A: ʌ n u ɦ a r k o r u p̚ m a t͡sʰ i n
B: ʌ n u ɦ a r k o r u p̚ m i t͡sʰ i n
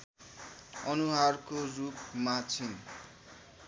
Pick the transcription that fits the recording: A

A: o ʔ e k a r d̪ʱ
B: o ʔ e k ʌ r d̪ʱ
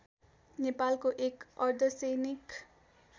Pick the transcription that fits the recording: B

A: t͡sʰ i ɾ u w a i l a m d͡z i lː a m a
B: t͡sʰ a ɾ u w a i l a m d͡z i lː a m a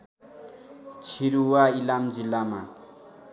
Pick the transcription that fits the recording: A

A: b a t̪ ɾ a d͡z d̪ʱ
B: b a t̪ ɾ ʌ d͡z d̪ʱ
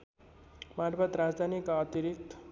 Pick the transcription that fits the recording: A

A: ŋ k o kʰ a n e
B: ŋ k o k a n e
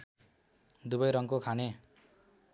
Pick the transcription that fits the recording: A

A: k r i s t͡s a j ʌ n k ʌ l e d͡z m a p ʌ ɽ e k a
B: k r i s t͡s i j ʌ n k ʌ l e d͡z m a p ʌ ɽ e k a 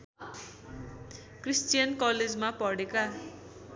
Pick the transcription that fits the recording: B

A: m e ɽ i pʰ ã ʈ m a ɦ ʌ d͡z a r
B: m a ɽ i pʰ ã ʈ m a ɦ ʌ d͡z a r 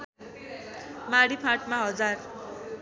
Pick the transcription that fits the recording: B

